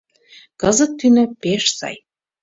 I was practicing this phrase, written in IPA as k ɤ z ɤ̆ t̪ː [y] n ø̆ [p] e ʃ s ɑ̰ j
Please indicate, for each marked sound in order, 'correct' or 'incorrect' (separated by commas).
correct, correct